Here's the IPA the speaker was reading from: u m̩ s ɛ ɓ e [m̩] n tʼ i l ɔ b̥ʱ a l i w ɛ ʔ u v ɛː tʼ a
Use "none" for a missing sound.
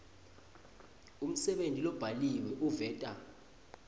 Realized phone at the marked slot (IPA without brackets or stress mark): none